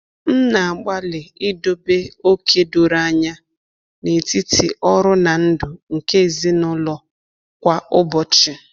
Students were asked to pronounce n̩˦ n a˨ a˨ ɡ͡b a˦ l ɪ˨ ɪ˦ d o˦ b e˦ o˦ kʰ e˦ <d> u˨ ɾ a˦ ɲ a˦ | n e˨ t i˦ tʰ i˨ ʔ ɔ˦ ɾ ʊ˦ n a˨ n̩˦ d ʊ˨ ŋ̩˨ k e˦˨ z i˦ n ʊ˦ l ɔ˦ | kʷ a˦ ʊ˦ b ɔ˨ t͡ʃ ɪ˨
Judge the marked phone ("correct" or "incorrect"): correct